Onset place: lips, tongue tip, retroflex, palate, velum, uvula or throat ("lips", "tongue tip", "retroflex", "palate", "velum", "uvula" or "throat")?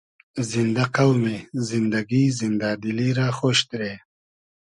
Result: tongue tip